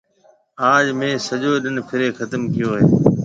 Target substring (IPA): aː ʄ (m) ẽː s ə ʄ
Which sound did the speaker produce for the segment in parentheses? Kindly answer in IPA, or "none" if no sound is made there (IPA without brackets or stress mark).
m